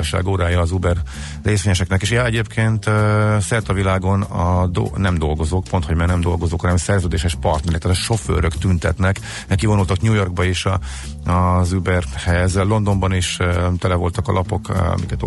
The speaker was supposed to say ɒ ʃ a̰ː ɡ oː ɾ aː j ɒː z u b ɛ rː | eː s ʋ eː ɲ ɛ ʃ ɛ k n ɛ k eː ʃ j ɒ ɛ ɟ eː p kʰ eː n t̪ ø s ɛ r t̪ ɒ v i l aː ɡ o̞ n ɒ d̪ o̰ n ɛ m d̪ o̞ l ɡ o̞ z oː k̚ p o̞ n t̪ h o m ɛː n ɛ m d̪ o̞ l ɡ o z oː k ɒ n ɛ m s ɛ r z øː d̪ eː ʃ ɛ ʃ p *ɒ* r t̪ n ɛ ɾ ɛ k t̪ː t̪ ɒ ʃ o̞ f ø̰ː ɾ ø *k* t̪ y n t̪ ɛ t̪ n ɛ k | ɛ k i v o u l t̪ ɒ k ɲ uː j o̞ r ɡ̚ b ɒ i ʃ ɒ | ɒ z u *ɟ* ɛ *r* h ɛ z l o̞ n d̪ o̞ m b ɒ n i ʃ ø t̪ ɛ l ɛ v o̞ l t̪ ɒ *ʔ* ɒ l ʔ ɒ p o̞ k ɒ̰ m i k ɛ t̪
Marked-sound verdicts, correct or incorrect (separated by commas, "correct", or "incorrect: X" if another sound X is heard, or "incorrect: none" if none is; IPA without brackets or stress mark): correct, correct, incorrect: b, correct, incorrect: k